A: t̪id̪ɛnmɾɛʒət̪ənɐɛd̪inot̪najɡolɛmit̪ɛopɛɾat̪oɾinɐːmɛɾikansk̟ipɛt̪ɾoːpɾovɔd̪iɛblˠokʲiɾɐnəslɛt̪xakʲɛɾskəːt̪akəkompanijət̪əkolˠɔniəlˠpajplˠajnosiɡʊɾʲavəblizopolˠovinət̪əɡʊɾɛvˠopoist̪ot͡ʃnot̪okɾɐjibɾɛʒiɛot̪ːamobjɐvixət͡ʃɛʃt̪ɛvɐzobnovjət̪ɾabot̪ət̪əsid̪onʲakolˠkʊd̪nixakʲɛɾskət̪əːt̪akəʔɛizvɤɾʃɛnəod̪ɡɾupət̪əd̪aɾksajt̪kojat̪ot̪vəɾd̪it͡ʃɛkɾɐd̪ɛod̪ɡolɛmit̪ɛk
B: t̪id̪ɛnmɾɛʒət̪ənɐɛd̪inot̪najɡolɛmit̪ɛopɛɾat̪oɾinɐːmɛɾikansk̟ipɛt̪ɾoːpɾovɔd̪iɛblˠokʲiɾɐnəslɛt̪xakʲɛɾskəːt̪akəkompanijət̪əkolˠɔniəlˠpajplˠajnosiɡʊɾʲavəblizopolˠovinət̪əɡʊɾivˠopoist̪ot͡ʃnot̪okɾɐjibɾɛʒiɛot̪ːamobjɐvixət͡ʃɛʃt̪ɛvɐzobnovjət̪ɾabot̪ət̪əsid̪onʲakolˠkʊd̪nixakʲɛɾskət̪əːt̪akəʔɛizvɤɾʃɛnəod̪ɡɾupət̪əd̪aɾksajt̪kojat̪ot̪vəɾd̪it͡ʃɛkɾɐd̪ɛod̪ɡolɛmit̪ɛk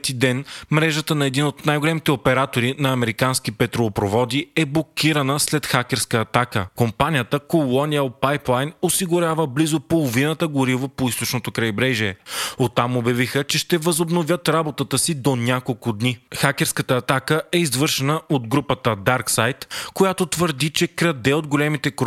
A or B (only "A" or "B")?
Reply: B